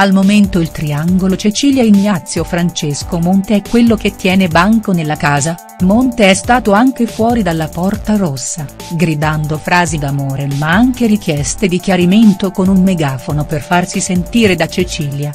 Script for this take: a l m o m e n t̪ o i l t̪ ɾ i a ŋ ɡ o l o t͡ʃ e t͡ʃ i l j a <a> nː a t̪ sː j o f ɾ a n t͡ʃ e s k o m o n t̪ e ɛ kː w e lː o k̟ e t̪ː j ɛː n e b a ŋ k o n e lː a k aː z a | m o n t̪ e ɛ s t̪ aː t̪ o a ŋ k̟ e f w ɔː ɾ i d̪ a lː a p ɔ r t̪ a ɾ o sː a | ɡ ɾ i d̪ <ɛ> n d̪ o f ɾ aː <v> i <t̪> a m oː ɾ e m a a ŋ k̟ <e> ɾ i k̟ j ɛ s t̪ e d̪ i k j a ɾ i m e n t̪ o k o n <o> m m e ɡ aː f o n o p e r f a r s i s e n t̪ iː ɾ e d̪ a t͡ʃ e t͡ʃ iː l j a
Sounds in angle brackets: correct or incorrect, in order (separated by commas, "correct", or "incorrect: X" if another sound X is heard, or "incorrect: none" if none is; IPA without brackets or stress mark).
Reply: incorrect: i, incorrect: a, incorrect: z, incorrect: d̪, correct, incorrect: u